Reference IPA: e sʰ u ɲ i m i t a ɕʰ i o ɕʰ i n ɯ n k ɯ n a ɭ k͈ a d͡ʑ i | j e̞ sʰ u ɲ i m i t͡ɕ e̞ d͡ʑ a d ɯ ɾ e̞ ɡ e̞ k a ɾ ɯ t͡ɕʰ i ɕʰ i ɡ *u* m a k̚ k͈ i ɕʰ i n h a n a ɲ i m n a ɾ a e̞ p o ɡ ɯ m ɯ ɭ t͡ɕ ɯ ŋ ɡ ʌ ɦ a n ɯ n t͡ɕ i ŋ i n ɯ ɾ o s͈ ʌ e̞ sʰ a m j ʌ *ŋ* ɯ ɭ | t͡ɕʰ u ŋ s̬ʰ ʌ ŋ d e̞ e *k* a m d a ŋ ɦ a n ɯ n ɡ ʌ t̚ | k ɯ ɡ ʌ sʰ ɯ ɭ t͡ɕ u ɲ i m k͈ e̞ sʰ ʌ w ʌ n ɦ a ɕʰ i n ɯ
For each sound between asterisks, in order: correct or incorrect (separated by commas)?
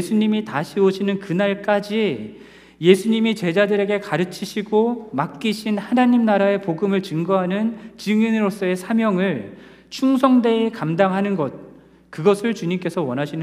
incorrect, correct, correct